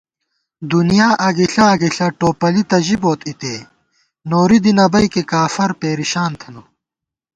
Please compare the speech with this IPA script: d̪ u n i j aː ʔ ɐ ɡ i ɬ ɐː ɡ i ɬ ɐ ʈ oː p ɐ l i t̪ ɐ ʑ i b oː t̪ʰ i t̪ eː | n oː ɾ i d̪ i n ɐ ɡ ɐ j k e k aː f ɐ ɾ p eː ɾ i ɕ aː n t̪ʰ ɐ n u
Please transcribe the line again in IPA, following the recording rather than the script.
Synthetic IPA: d̪ u n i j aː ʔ ɐ ɡ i ɬ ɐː ɡ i ɬ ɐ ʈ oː p ɐ l i t̪ ɐ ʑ i b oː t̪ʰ i t̪ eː | n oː ɾ i d̪ i n ɐ b ɐ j k e k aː f ɐ ɾ p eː ɾ i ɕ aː n t̪ʰ ɐ n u